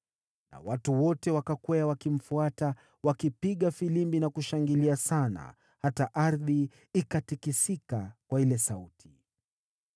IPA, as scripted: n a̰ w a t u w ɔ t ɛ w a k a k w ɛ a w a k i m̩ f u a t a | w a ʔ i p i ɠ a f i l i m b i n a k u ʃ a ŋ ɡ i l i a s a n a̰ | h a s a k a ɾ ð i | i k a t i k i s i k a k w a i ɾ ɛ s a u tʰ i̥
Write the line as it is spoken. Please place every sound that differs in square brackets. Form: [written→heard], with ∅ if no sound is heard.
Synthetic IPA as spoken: n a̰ w a t u w ɔ t ɛ w a k a k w ɛ a w a k i m̩ f u a t a | w a [ʔ→k] i p i ɠ a f i l i m b i n a k u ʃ a ŋ ɡ i l i a s a n a̰ | h a [s→t] a [k→ʔ] a ɾ ð i | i k a t i k i s i k a k w a i [ɾ→l] ɛ s a u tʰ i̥